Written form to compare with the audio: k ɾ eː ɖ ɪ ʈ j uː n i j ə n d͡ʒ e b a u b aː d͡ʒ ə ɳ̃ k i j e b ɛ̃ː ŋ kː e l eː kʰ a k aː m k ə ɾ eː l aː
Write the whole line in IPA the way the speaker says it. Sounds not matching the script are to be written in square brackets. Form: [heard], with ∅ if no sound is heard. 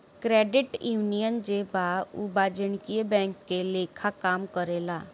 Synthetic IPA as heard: k ɾ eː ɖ ɪ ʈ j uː n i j ə n d͡ʒ e b a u b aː d͡ʒ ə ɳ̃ k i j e b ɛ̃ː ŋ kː e l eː kʰ a k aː m k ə ɾ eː l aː